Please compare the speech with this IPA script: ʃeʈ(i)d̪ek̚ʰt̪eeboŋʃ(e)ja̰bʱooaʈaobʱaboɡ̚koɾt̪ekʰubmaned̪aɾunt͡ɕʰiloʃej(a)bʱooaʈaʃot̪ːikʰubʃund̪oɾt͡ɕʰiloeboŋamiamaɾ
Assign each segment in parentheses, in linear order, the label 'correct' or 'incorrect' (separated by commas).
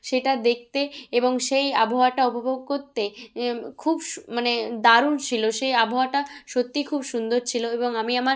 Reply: incorrect, correct, correct